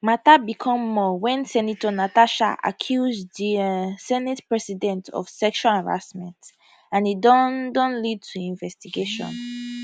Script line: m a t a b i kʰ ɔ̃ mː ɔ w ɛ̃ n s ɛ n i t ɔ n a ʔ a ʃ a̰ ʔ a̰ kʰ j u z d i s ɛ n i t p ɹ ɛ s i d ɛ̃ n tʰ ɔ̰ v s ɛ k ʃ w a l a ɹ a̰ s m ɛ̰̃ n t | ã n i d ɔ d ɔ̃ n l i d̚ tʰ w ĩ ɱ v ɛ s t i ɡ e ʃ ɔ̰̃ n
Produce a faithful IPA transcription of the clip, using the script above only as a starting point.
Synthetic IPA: m a t a b i kʰ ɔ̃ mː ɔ w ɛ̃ n s ɛ n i t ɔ n a t a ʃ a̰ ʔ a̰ kʰ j u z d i s ɛ n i t p ɹ ɛ s i d ɛ̃ n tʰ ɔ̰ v s ɛ k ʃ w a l a ɹ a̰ s m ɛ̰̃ n t | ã n i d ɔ d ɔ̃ n l i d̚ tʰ u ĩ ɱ v ɛ s t i ɡ e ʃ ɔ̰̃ n